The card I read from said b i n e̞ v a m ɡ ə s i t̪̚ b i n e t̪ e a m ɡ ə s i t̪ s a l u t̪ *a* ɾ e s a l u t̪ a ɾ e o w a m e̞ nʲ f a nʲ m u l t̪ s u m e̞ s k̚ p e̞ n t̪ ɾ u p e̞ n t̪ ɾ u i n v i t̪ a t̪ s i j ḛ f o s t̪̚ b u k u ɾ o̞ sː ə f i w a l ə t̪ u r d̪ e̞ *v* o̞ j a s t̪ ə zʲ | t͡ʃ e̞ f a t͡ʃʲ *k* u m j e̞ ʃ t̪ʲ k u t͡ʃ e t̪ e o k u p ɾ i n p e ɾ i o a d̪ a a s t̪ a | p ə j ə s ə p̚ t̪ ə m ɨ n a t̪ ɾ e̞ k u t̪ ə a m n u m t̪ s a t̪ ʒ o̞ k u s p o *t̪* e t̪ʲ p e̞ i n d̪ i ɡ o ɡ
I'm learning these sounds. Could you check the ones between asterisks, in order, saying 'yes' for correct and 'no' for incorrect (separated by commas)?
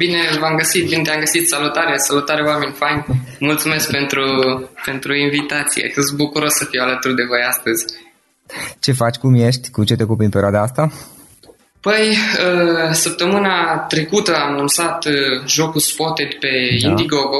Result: yes, yes, yes, yes